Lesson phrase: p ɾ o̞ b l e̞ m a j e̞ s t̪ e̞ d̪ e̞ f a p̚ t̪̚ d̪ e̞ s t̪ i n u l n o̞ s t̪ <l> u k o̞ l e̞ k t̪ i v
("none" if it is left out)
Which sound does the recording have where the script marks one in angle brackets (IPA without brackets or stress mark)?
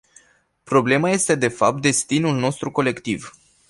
ɾ